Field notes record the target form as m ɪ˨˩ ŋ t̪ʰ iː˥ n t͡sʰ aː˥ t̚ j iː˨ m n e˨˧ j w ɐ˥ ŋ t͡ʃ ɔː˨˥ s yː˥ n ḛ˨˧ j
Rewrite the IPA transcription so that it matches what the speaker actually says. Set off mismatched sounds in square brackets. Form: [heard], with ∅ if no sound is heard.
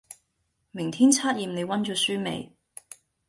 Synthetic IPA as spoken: m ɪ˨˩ ŋ t̪ʰ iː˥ n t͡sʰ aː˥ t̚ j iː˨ m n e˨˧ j w ɐ˥ [n] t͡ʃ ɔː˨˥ s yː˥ [m] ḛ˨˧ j